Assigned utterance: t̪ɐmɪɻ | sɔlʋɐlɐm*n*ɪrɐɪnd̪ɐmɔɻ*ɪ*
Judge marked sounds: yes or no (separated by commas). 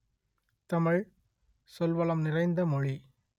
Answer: yes, no